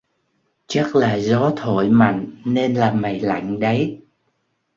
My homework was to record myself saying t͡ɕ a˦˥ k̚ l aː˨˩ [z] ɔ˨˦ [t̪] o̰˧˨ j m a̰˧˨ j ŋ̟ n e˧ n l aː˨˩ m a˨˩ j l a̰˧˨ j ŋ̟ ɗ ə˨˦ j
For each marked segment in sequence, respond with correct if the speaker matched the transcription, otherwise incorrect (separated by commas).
correct, incorrect